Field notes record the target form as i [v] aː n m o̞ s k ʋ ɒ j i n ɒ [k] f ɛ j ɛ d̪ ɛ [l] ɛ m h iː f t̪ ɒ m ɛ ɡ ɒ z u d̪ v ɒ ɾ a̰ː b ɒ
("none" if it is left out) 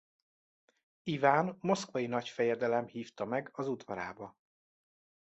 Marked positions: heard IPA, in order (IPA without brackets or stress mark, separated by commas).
v, c, l